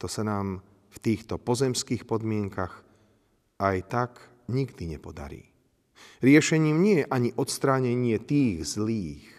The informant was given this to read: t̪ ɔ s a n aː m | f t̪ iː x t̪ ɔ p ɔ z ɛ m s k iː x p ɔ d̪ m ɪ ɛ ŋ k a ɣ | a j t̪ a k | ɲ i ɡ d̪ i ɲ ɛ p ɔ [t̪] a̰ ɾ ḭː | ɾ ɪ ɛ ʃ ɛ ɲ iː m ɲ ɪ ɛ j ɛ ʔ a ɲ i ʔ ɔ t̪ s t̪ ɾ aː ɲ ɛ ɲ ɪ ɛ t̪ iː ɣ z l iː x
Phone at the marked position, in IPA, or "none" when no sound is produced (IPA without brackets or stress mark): d̪